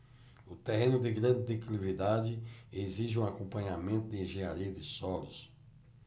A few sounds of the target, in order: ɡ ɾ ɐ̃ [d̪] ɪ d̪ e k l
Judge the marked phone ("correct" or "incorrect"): correct